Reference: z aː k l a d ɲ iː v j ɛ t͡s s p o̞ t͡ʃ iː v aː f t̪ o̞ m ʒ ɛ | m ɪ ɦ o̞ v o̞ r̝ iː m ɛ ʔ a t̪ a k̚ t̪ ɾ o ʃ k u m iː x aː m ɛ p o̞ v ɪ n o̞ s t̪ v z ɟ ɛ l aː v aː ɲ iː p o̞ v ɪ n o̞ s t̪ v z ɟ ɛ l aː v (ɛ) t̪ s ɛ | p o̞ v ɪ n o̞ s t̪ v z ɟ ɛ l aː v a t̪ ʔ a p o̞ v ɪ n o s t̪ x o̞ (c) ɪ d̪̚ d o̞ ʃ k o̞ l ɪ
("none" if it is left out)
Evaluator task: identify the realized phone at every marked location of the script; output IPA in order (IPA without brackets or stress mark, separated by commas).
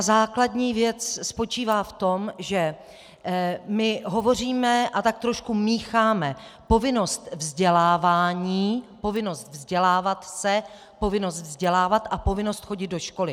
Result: a, ɟ